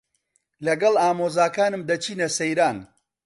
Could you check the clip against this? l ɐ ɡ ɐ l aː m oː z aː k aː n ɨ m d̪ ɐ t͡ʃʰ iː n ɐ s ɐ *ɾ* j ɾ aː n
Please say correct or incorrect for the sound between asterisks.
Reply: incorrect: none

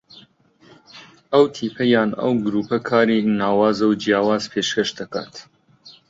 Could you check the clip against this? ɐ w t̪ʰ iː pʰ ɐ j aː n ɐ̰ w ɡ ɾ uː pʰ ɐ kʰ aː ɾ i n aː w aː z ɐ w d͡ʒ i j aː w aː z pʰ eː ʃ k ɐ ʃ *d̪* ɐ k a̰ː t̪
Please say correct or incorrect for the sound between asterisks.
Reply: correct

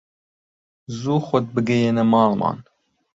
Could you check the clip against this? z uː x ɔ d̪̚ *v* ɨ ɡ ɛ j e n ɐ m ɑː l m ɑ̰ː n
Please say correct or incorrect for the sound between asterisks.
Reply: incorrect: b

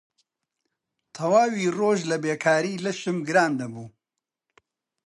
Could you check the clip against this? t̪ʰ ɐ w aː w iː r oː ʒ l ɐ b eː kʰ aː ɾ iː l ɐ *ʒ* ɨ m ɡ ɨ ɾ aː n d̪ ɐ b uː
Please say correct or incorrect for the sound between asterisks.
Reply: incorrect: ʃ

